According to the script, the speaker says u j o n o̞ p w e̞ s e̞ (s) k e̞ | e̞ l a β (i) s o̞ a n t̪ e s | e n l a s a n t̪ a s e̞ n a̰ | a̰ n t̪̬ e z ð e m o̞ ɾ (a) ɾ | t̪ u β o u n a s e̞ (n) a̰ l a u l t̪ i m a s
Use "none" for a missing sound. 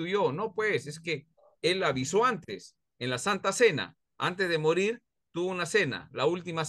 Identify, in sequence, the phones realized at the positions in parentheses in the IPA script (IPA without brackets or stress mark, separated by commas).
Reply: s, i, i, n